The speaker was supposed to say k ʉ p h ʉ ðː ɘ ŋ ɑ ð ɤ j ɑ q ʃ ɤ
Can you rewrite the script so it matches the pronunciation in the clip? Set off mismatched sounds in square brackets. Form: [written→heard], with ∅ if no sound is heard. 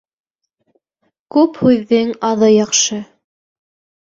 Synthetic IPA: k ʉ p h ʉ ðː ɘ ŋ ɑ ð ɤ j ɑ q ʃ ɤ